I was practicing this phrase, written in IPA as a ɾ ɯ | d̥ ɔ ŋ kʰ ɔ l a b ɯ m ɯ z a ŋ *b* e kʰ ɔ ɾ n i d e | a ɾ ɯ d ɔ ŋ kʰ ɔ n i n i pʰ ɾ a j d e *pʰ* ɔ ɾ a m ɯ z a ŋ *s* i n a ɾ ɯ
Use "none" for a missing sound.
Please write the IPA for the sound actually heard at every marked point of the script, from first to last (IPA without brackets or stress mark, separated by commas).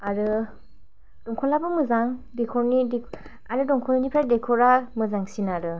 d, kʰ, s